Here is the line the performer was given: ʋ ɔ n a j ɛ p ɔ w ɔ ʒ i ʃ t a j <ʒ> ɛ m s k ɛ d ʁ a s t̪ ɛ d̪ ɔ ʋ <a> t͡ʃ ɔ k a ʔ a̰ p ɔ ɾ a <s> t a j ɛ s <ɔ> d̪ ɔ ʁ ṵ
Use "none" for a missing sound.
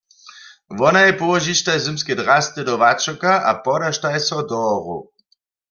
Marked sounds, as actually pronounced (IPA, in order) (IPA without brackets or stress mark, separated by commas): z, a, ʃ, ɔ